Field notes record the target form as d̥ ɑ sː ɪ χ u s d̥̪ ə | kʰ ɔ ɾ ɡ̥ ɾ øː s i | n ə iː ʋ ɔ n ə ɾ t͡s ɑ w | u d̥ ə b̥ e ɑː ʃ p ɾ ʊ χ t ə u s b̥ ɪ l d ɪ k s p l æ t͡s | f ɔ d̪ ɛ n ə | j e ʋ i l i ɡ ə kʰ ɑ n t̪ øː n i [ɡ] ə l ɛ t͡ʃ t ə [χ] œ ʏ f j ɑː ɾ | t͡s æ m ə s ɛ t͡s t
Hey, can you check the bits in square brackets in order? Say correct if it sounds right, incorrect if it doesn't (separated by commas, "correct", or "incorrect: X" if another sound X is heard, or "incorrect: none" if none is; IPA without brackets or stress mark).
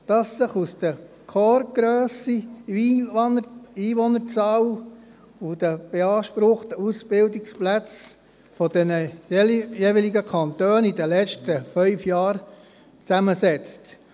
incorrect: d, incorrect: f